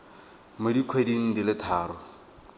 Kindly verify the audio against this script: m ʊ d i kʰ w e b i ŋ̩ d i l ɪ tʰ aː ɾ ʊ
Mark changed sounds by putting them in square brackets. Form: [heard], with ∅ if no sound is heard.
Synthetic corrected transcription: m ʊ d i kʰ w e [d] i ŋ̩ d i l ɪ tʰ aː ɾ ʊ